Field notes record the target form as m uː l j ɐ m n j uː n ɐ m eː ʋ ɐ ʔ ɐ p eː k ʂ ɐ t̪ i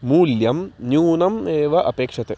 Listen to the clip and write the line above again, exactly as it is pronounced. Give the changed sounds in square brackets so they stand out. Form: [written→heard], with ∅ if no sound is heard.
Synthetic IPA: m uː l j ɐ m n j uː n ɐ m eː ʋ ɐ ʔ ɐ p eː k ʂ ɐ t̪ [i→e]